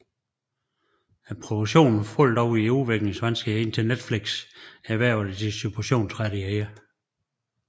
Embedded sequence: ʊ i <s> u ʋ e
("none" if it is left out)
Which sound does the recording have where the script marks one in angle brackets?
none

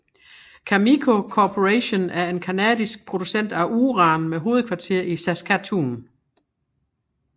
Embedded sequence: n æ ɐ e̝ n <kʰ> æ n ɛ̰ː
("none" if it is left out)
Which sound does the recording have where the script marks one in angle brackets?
kʰ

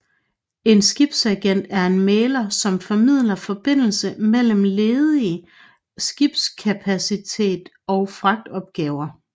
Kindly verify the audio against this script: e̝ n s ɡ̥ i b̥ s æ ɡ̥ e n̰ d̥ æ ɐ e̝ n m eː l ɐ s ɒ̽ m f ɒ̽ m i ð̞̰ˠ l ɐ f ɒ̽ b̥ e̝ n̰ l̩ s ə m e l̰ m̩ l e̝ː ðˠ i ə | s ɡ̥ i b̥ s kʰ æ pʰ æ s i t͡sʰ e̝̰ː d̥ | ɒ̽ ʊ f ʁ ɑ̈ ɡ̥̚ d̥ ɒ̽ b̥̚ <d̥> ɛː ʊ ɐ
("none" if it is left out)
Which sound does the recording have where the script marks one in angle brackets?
ɡ̥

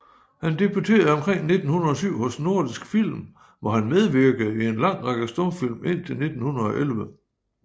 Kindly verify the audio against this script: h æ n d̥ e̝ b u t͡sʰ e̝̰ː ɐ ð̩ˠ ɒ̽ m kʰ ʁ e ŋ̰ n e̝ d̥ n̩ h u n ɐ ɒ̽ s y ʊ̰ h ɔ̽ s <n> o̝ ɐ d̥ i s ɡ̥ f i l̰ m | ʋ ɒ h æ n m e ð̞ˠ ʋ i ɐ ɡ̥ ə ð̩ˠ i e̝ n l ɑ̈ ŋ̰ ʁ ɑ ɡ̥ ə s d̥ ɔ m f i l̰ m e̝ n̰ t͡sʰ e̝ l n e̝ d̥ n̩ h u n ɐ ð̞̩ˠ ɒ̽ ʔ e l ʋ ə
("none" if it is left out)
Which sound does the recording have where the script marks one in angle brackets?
n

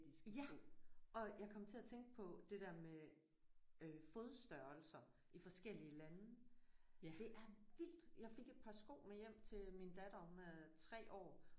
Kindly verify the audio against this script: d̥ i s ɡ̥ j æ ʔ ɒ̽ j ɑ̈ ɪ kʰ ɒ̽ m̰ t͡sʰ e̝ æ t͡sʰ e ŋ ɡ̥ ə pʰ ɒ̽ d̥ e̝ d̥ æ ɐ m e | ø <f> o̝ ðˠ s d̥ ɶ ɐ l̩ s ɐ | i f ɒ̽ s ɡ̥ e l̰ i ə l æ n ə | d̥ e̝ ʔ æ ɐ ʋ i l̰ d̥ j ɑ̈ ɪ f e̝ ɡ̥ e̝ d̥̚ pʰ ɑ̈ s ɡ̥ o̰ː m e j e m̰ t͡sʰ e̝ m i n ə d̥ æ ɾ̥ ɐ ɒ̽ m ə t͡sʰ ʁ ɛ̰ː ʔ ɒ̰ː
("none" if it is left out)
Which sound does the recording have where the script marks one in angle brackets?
f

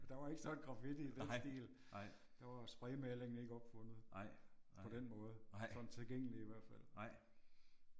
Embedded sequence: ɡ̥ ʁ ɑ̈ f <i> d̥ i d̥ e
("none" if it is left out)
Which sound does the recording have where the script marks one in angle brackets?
i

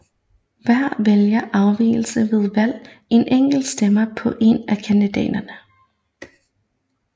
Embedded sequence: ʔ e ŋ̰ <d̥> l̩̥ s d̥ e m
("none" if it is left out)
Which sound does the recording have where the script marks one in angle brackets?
ɡ̥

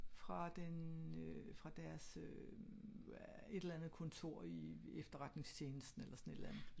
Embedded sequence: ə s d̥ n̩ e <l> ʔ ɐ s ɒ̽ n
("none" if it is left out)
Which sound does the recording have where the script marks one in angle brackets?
l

